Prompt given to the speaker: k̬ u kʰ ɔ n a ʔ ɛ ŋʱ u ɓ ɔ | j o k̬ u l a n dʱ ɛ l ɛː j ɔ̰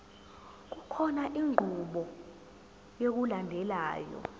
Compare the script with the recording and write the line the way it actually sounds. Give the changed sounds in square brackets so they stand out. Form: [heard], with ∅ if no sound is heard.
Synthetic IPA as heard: k̬ u kʰ ɔ n a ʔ [i] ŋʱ u ɓ ɔ | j o k̬ u l a n dʱ ɛ l [aː] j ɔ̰